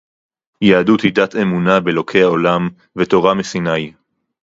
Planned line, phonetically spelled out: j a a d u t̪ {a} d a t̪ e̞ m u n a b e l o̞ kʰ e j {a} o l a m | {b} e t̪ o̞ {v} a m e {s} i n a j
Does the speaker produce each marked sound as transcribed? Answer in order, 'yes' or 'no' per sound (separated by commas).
no, yes, no, no, yes